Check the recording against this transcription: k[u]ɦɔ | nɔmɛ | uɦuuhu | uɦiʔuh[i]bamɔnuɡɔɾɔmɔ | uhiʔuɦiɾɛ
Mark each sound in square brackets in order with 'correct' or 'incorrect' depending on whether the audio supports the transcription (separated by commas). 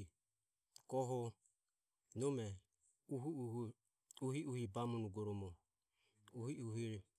incorrect, correct